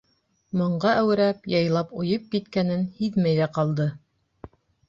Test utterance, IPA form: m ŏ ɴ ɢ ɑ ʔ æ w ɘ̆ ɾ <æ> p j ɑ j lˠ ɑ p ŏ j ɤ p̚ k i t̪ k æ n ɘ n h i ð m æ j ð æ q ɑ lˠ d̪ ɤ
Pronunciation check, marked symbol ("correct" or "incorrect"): correct